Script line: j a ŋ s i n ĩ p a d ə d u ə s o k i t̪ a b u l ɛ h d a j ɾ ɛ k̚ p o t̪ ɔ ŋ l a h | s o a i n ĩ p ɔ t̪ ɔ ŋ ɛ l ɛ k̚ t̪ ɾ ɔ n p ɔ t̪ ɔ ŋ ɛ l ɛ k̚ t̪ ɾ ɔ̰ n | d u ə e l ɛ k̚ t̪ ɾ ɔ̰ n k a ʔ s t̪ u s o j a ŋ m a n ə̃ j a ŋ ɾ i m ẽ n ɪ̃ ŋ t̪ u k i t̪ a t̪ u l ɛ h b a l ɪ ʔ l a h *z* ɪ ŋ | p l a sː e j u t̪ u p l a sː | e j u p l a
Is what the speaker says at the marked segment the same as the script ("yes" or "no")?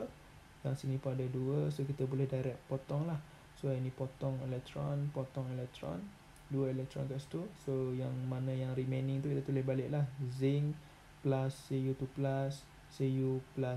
yes